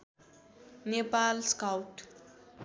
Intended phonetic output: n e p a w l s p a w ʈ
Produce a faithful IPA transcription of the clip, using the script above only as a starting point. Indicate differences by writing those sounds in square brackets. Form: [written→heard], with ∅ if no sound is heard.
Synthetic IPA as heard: n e p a [w→∅] l s [p→k] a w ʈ